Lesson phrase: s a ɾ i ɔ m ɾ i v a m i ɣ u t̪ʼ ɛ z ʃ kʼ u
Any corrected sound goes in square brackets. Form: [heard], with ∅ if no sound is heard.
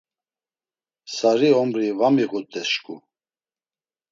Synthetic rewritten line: s a ɾ i ɔ m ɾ i v a m i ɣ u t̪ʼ ɛ [s] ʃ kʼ u